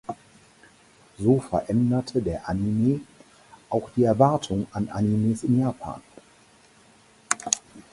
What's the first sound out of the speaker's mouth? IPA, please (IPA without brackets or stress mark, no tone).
z